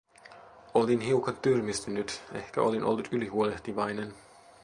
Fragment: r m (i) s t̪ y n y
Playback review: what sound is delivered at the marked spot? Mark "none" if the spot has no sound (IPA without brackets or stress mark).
i